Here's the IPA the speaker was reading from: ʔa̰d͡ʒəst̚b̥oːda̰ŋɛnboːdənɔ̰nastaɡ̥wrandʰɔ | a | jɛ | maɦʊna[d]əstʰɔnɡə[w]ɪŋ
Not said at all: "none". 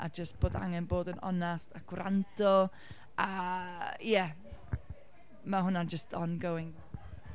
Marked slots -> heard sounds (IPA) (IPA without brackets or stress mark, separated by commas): d͡ʒ, w